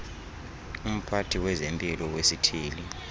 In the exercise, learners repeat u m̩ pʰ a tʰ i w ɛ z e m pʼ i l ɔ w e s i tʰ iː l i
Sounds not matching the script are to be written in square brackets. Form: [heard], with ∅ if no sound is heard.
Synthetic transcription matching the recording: u m̩ pʰ a tʰ i w ɛ z e m pʼ i l ɔ w e s i tʰ iː l i